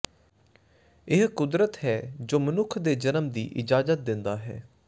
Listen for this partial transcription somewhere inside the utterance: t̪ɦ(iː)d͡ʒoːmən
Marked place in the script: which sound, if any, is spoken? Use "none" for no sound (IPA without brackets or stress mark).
ɛː